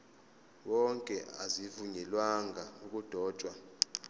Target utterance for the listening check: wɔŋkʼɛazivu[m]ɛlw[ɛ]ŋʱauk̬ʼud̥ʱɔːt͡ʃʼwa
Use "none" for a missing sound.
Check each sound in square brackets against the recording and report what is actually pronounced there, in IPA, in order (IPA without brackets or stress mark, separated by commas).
ɲ, a